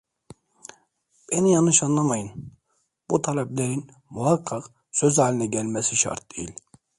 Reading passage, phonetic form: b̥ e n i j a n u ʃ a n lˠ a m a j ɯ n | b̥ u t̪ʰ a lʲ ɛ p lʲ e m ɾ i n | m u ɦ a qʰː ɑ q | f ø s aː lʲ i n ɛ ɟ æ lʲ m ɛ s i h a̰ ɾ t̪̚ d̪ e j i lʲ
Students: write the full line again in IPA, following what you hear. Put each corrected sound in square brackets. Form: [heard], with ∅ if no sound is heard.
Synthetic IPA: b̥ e n i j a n [ɯ] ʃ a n lˠ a m a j ɯ n | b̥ u t̪ʰ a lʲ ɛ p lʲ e [∅] ɾ i n | m u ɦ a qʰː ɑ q | [s] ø [z] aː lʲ i n ɛ ɟ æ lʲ m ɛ s i [ʃ] a̰ ɾ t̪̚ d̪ e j i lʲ